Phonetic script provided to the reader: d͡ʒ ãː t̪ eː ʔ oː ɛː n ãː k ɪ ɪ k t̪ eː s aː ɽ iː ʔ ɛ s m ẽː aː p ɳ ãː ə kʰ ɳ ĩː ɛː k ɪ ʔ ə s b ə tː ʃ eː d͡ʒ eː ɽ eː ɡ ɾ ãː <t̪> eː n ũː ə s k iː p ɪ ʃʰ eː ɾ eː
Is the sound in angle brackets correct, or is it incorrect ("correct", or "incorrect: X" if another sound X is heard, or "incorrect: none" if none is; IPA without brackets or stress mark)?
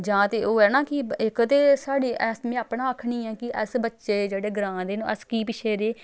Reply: incorrect: d̪